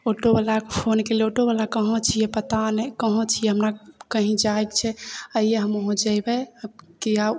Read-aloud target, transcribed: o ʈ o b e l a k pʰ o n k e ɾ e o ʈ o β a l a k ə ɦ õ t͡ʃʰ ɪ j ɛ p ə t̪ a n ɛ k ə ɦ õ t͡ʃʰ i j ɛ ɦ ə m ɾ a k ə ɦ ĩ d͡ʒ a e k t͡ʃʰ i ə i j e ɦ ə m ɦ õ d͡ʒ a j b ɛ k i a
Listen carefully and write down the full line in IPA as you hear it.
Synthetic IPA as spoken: o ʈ o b a l a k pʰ o n k e l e o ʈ o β a l a k ə ɦ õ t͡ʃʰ i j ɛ p ə t̪ a n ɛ k ə ɦ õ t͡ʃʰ i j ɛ ɦ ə m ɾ a k ə ɦ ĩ d͡ʒ a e k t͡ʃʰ ɛ ə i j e ɦ ə m ɦ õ d͡ʒ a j b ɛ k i a